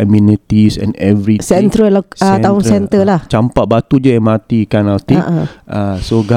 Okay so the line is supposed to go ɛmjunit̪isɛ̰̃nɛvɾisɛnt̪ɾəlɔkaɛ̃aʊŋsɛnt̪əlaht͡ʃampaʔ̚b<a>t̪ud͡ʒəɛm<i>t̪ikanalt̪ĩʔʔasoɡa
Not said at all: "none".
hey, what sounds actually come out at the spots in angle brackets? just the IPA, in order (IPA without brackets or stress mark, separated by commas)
a, a